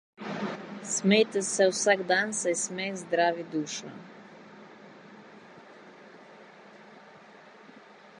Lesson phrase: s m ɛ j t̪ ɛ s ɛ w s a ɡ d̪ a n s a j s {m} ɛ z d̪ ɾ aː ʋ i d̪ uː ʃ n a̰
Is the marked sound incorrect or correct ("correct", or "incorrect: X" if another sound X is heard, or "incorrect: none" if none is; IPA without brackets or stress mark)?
correct